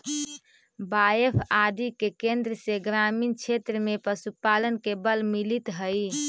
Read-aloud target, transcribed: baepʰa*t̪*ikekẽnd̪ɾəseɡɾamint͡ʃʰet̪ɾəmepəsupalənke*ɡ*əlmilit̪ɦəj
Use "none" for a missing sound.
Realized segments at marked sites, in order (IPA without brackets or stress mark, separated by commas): d̪, b